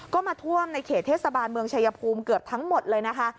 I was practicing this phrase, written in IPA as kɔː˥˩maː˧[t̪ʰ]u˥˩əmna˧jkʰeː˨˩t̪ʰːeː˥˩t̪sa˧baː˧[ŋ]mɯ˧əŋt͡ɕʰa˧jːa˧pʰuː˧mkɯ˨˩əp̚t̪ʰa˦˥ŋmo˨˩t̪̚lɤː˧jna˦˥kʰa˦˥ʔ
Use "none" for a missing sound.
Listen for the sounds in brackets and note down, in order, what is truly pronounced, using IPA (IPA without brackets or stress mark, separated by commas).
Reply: t̪ʰ, n